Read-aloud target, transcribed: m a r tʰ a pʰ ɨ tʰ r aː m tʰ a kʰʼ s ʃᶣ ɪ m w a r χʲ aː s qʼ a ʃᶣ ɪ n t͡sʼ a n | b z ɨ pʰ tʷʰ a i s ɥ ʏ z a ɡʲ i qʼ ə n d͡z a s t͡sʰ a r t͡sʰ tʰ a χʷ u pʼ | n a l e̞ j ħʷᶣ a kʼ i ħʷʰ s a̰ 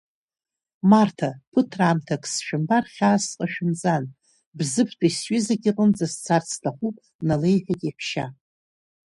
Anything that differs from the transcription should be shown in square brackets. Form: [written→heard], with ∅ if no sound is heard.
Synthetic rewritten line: m a r tʰ a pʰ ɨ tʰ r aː m tʰ a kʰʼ s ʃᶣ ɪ m [w→b] a r χʲ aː s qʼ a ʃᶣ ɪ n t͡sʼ a n | b z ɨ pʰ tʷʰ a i s ɥ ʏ z a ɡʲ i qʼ ə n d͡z a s t͡sʰ a r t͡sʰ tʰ a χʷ u pʼ | n a l e̞ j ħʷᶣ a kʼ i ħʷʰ [s→ʃ] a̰